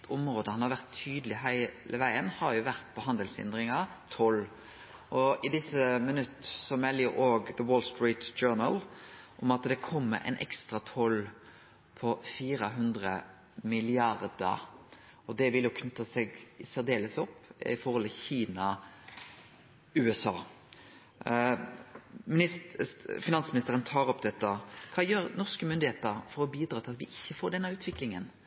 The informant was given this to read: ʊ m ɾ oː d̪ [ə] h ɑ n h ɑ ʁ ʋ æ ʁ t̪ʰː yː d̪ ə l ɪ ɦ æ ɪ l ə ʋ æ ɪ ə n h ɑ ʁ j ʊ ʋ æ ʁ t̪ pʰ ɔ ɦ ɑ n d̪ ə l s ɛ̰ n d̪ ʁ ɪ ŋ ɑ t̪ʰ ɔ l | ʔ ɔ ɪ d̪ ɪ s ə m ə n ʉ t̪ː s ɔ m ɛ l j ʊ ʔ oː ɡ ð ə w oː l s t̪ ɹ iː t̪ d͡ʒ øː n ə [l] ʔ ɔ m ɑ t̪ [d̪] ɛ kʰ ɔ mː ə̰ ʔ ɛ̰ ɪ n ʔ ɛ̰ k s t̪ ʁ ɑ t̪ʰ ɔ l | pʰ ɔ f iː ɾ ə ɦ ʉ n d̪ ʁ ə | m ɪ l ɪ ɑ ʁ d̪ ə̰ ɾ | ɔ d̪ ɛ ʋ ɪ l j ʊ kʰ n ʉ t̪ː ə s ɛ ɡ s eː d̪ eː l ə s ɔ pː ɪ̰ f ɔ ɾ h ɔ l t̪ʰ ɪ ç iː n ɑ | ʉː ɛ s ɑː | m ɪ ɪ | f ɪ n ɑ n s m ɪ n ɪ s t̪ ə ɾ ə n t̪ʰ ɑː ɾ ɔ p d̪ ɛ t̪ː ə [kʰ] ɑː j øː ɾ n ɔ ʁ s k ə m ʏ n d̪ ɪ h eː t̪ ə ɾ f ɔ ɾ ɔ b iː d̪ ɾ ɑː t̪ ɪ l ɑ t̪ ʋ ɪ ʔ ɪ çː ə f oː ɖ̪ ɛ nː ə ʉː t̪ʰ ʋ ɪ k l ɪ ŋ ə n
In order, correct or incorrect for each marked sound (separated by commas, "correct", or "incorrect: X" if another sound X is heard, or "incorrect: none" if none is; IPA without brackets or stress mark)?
correct, correct, correct, correct